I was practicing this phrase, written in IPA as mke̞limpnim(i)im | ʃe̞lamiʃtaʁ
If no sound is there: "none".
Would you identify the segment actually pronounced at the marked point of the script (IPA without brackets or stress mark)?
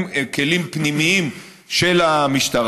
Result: i